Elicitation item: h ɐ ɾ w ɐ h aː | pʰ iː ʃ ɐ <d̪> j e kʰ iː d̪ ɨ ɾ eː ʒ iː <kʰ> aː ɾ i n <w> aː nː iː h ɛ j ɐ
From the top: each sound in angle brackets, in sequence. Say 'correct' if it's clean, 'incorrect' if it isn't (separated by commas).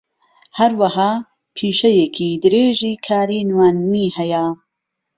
incorrect, correct, correct